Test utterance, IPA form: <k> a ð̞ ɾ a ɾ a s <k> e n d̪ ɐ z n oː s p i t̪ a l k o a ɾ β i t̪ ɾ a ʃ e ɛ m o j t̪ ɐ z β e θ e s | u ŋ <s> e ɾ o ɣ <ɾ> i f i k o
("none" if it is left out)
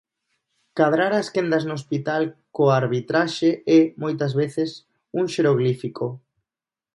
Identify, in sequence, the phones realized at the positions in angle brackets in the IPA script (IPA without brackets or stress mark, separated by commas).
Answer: k, k, ʃ, l